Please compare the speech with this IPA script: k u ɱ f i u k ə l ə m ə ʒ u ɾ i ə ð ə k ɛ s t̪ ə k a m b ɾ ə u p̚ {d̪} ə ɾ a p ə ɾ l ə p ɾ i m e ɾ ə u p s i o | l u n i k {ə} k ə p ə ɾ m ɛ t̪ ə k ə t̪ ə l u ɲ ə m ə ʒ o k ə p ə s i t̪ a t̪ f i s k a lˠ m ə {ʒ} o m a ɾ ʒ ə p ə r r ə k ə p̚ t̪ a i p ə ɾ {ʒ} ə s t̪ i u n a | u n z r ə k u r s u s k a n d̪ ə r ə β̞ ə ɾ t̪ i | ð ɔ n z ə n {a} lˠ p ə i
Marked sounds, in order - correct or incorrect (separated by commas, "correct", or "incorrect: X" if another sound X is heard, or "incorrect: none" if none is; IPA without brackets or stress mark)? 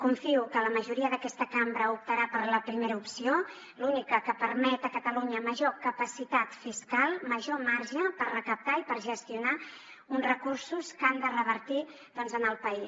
incorrect: t̪, correct, correct, correct, incorrect: ə